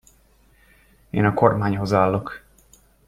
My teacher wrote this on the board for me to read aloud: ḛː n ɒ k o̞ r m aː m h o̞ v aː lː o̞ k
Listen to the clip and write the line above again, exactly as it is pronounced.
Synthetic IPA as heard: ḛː n ɒ k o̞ r m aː ɲ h o̞ z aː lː o̞ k